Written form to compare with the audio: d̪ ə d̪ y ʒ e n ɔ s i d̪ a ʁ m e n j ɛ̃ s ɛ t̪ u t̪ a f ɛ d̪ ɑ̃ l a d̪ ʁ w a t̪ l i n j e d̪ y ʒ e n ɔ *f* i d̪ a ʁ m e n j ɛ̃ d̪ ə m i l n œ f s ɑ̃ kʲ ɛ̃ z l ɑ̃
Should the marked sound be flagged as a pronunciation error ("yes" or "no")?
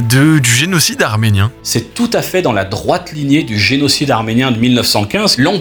yes